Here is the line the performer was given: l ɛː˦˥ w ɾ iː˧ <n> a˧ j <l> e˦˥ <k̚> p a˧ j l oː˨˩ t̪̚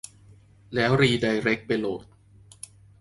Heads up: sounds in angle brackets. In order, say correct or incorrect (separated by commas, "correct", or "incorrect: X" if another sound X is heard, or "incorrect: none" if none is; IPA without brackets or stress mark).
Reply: incorrect: d, incorrect: ɾ, correct